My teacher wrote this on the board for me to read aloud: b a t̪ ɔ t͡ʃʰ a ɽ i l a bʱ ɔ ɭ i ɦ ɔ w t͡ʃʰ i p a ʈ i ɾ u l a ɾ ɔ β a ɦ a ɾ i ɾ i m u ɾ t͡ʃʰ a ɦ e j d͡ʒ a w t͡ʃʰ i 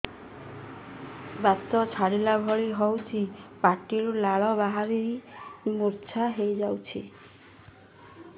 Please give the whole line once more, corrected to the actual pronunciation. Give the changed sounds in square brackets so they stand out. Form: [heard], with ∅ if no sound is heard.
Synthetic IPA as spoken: b a t̪ ɔ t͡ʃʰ a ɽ i l a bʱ ɔ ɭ i ɦ ɔ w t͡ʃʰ i p a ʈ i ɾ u l a [ɭ] ɔ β a ɦ a ɾ i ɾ i m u ɾ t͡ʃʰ a ɦ e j d͡ʒ a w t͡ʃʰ i